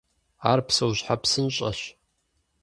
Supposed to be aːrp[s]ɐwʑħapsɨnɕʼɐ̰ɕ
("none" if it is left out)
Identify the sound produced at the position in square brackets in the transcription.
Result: s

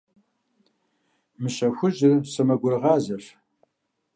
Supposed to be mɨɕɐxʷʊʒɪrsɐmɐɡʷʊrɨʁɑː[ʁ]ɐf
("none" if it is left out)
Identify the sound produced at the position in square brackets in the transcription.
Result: z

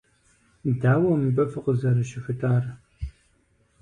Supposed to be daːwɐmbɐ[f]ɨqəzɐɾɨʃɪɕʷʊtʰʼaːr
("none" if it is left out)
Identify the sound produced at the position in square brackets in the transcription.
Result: f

